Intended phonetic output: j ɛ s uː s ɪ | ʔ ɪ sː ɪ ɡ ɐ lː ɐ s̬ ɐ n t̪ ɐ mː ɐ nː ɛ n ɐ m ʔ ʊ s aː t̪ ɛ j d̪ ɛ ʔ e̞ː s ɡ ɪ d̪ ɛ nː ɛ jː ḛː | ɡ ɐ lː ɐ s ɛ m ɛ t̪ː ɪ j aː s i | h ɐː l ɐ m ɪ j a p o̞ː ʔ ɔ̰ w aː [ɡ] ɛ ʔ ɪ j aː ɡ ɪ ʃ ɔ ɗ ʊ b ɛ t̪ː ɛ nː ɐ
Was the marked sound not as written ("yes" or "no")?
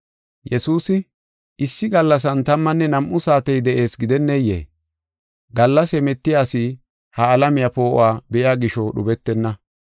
yes